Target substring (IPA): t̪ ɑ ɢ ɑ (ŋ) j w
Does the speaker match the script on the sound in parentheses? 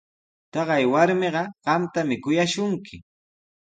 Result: no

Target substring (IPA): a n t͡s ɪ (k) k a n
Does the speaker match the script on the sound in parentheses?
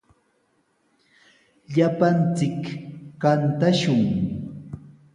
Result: yes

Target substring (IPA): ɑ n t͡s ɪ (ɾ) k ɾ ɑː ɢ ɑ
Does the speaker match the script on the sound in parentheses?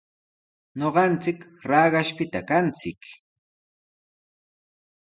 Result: no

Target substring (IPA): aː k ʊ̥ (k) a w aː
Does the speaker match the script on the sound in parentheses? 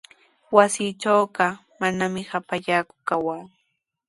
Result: yes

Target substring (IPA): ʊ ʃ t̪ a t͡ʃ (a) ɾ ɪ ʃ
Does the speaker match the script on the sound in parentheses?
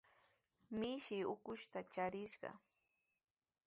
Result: yes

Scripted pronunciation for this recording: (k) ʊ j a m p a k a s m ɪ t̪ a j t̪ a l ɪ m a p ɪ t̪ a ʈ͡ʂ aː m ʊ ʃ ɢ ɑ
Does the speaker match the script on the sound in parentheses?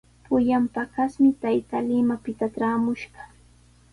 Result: no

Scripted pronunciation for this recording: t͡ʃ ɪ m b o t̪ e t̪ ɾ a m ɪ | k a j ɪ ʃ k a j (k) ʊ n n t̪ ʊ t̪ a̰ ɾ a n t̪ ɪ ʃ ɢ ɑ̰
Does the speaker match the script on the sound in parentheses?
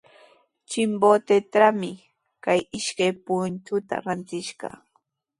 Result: no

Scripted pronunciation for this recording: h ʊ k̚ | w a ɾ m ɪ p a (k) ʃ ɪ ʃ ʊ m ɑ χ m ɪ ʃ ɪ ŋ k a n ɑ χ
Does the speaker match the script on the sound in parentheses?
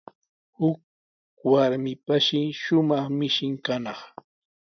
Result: no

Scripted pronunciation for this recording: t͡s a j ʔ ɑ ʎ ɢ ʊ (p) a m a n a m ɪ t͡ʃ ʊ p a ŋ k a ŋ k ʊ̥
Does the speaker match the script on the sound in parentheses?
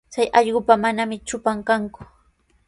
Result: yes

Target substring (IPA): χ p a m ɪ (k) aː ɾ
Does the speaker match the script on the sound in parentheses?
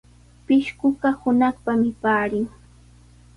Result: no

